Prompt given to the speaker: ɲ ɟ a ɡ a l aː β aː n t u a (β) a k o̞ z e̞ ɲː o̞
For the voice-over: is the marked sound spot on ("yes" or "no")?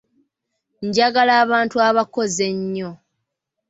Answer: yes